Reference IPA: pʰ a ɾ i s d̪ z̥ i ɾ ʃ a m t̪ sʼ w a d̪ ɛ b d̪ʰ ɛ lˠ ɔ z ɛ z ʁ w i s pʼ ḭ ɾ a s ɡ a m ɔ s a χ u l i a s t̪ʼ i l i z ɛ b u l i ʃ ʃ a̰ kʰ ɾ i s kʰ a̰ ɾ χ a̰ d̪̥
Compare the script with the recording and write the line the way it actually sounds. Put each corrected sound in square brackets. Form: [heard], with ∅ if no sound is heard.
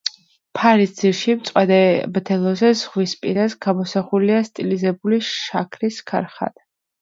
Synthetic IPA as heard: pʰ a ɾ i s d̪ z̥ i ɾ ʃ [i] m t̪ sʼ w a d̪ ɛ b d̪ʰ ɛ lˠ ɔ z ɛ z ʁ w i s pʼ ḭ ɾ a s ɡ a m ɔ s a χ u l i a s t̪ʼ i l i z ɛ b u l i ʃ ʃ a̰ kʰ ɾ i s kʰ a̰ ɾ χ a̰ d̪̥